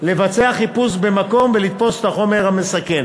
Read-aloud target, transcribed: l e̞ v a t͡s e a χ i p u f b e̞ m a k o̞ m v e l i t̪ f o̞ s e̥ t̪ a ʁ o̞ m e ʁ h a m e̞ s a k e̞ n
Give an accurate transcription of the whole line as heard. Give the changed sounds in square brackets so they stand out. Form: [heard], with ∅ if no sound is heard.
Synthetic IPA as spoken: l e̞ v a t͡s e a χ i p u [s] b e̞ m a k o̞ m v e l i t̪ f o̞ s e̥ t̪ a [χ] o̞ m e ʁ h a m e̞ s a k e̞ n